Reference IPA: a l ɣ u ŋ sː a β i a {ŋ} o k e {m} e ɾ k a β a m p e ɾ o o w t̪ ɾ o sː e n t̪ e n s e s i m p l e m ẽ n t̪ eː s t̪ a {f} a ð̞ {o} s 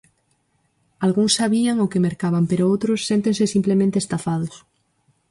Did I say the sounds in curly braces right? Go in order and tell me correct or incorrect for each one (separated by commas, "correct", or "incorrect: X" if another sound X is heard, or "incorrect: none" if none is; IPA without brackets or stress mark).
correct, correct, correct, correct